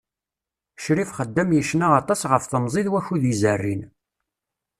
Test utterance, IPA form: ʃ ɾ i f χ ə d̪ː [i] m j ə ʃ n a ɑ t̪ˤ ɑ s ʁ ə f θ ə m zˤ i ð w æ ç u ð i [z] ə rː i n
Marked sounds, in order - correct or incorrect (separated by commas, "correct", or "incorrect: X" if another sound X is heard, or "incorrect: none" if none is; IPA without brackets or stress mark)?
incorrect: æ, correct